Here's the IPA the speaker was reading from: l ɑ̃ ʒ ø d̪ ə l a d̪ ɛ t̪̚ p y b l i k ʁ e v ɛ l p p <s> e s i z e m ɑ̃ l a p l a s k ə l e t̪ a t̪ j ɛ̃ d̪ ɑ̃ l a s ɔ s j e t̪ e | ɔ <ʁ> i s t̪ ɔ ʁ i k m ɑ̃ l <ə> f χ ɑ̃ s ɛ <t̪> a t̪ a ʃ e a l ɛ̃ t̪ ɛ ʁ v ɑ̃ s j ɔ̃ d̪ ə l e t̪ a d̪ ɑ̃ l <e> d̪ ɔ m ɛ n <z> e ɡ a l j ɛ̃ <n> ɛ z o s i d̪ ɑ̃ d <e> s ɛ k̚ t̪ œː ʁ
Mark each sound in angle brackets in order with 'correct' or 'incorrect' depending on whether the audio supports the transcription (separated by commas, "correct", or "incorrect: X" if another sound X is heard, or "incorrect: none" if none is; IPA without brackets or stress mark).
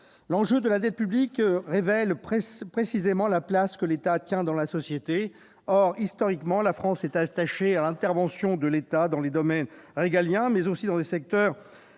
incorrect: χ, correct, incorrect: a, correct, correct, incorrect: ʁ, incorrect: m, correct